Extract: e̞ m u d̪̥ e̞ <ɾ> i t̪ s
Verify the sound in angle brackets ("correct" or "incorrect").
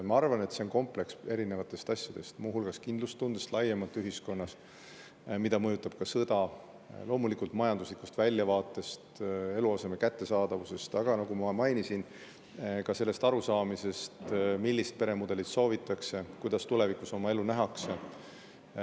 incorrect